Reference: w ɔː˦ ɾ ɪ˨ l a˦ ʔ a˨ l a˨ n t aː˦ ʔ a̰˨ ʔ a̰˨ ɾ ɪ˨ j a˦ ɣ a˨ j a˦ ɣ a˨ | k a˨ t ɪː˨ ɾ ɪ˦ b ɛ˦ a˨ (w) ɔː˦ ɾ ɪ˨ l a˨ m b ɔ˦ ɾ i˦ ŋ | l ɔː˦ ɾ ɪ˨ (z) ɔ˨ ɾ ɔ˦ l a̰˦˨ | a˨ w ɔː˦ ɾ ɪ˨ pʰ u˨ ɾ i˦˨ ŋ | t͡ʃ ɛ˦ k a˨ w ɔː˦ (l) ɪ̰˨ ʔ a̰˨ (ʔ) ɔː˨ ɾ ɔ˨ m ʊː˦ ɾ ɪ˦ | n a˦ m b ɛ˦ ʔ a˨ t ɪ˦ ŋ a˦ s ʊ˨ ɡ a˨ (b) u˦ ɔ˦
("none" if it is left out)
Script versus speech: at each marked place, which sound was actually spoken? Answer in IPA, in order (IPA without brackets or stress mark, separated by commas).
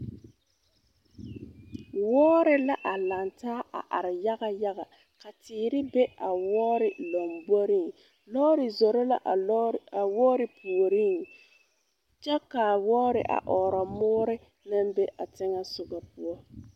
w, z, ɾ, ʔ, p